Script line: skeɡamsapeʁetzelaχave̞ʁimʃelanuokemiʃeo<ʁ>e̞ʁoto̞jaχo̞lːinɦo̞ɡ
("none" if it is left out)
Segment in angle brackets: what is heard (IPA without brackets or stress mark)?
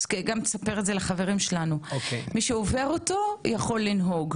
v